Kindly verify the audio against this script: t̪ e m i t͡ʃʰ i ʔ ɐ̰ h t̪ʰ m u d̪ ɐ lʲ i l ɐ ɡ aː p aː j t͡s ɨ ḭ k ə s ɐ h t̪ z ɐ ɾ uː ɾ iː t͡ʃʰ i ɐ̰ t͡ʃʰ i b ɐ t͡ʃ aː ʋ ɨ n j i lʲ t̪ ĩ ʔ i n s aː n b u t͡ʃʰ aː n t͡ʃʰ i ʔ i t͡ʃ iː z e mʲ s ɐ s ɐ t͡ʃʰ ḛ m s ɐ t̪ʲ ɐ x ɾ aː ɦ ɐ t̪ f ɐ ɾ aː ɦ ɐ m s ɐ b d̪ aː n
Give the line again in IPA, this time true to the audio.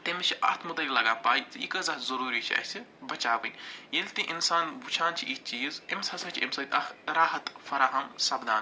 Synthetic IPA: t̪ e m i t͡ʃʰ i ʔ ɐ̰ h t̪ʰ m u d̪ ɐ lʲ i l ɐ ɡ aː p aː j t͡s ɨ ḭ k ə z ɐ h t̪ z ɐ ɾ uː ɾ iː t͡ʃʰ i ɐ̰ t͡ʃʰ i b ɐ t͡ʃ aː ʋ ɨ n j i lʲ t̪ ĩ ʔ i n s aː n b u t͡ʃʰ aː n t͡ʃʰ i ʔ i t͡ʃ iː z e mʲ s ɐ s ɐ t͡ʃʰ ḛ m s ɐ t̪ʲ ɐ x ɾ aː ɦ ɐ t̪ f ɐ ɾ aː ɦ ɐ m s ɐ b d̪ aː n